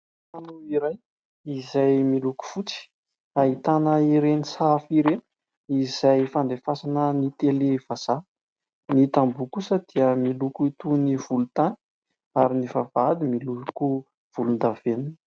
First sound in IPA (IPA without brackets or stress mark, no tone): a